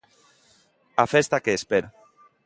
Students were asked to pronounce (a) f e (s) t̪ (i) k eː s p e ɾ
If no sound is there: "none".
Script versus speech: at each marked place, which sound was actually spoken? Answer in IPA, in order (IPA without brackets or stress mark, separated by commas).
a, s, a